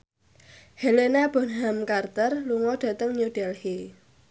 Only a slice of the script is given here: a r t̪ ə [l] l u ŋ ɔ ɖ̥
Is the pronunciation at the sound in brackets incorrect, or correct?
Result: incorrect